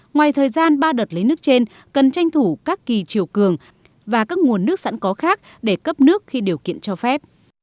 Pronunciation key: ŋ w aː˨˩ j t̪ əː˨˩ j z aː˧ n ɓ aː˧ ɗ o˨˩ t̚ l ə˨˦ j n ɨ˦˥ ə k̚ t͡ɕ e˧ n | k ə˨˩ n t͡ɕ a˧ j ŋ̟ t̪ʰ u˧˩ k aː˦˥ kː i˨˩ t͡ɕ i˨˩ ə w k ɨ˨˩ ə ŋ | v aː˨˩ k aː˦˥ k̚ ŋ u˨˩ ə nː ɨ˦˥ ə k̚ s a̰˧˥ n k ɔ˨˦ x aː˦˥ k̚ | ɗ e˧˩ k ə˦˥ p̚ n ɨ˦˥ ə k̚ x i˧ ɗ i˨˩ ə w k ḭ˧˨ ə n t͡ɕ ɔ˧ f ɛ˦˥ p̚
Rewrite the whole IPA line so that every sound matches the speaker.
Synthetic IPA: ŋ w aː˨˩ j t̪ʰ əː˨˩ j z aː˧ n ɓ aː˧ ɗ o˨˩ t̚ l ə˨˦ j n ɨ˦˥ ə k̚ t͡ɕ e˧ n | k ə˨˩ n t͡ɕ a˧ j ŋ̟ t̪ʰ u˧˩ k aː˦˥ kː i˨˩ t͡ɕ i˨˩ ə w k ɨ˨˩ ə ŋ | v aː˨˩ k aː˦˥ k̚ ŋ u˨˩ ə nː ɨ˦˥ ə k̚ s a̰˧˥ n k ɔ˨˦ x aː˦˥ k̚ | ɗ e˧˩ k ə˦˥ p̚ n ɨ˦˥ ə k̚ x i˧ ɗ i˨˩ ə w k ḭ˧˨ ə n t͡ɕ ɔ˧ f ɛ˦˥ p̚